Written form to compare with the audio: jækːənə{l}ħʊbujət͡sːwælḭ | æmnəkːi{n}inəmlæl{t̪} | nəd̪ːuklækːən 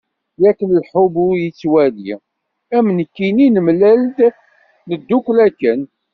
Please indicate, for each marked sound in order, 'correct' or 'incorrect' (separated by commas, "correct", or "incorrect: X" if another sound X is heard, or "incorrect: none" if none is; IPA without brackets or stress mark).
correct, correct, incorrect: d̪